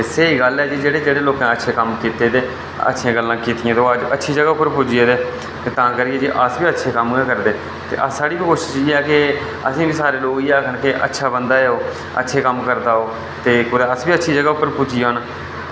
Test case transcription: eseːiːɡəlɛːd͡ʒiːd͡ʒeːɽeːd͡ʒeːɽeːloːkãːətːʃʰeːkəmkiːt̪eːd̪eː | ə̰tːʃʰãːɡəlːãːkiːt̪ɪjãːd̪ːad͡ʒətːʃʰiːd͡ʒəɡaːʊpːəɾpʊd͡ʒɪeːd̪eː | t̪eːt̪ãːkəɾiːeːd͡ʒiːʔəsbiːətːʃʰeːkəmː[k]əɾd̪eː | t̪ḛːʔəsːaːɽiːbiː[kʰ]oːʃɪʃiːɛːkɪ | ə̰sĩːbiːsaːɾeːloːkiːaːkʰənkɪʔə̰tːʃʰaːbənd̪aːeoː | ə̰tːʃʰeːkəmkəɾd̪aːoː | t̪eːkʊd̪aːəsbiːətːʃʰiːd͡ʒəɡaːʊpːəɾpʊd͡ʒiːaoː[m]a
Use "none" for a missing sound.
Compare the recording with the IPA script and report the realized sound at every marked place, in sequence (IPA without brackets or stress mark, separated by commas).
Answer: k, k, n